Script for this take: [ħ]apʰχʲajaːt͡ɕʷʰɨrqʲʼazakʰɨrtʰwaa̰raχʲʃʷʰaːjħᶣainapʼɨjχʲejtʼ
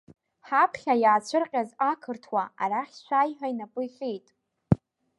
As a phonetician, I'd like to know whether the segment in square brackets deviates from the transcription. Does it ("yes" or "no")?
no